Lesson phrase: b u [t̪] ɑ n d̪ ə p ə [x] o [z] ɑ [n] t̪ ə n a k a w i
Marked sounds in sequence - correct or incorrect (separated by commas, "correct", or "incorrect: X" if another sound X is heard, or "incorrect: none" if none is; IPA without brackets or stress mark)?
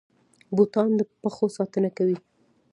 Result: correct, correct, incorrect: s, incorrect: none